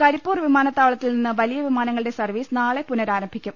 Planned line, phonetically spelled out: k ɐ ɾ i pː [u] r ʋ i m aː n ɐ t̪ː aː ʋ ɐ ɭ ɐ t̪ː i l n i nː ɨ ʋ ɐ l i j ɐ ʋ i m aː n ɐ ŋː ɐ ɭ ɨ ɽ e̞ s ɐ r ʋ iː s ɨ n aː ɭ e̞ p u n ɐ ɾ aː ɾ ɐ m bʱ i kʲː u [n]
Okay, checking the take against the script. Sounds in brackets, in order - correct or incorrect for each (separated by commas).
incorrect, incorrect